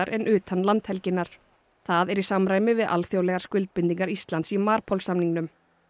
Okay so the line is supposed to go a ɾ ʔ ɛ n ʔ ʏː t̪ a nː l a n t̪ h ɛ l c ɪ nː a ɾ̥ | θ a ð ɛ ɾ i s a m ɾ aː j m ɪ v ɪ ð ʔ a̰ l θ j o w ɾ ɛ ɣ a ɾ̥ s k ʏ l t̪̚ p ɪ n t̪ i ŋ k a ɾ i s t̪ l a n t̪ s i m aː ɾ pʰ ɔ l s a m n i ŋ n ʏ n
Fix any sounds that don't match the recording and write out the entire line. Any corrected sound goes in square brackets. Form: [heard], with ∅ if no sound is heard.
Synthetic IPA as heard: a ɾ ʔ ɛ n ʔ ʏː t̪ a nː l a n t̪ h ɛ l c ɪ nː a ɾ̥ | θ a ð ɛ ɾ i s a m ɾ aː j m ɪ v ɪ ð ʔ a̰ l θ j o w [l] ɛ ɣ a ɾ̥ s k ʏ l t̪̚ p ɪ n t̪ i ŋ k a ɾ i s t̪ l a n t̪ s i m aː ɾ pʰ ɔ l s a m n i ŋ n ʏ [m]